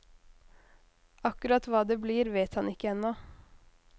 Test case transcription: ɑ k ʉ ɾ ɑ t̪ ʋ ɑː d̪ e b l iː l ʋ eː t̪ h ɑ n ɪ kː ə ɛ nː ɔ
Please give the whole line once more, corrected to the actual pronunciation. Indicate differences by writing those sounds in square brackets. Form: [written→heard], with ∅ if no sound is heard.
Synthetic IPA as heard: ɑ k ʉ ɾ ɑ t̪ ʋ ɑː d̪ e b l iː [l→ɾ] ʋ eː t̪ h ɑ n ɪ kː ə ɛ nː ɔ